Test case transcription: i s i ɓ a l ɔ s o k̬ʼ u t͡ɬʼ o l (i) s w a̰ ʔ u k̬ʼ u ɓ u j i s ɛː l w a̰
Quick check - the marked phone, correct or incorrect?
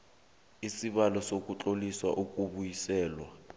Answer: correct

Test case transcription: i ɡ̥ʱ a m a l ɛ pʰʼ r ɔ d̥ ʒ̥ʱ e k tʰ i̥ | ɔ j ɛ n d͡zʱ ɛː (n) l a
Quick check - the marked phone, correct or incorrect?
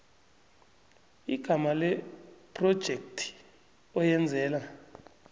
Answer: incorrect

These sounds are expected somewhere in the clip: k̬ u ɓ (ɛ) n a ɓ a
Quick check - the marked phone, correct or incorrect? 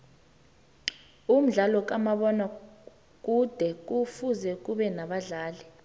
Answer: correct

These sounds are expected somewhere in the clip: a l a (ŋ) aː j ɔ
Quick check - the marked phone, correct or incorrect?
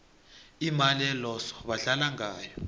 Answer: correct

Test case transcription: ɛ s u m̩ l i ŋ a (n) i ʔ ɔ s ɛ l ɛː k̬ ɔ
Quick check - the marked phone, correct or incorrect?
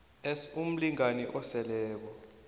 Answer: correct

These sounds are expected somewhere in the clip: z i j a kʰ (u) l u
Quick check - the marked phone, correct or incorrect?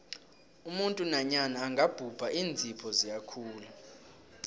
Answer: incorrect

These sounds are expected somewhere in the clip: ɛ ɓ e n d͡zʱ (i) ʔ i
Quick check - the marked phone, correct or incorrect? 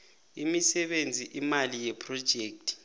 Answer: correct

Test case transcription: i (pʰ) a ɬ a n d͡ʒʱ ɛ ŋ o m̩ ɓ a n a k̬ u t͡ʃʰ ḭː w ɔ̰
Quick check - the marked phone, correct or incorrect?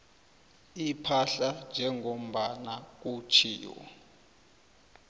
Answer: correct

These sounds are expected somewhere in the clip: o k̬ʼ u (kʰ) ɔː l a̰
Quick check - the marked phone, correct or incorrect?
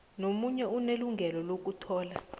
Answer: incorrect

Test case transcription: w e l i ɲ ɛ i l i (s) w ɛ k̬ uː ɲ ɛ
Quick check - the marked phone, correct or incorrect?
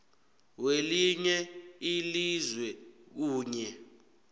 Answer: incorrect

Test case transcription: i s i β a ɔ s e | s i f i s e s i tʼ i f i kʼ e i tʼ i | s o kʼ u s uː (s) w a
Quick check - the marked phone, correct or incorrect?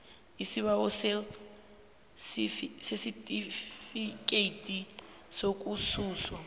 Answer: correct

